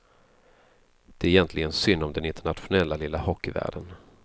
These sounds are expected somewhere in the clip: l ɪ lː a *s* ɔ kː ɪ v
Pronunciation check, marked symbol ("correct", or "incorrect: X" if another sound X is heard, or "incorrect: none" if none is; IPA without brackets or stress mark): incorrect: h